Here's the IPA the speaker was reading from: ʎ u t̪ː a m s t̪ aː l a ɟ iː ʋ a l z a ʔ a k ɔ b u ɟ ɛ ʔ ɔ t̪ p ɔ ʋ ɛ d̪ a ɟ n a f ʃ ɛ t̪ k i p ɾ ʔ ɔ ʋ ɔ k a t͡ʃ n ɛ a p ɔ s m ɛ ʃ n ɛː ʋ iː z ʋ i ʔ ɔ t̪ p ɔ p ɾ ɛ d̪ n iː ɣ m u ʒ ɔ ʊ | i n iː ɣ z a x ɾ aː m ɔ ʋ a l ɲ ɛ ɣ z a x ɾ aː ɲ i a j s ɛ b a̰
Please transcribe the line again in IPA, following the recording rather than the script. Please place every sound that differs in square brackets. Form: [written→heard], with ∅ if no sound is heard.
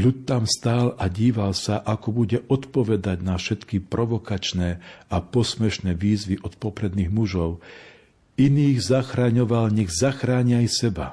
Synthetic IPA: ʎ u t̪ː a m s t̪ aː l a ɟ iː ʋ a l [z→s] a ʔ a k ɔ b u ɟ ɛ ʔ ɔ t̪ p ɔ ʋ ɛ d̪ a ɟ n a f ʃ ɛ t̪ k i p ɾ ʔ ɔ ʋ ɔ k a t͡ʃ n ɛ a p ɔ s m ɛ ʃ n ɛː ʋ iː z ʋ i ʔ ɔ t̪ p ɔ p ɾ ɛ d̪ n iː ɣ m u ʒ ɔ ʊ | i n iː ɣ z a x ɾ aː [m→ɲ] ɔ ʋ a l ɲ ɛ ɣ z a x ɾ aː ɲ i a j s ɛ b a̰